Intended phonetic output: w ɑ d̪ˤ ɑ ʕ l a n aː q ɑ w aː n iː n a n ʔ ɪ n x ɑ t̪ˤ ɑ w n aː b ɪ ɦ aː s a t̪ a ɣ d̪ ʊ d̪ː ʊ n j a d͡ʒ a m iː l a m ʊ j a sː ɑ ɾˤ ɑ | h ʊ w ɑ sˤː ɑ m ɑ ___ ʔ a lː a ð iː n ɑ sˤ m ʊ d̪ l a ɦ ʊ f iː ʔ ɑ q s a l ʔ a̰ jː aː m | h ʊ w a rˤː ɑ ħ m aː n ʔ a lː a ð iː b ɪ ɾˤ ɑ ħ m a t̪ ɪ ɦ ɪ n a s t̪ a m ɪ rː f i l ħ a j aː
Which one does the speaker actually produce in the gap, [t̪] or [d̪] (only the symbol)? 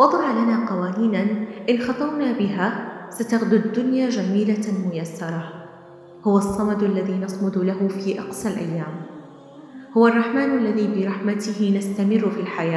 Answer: d̪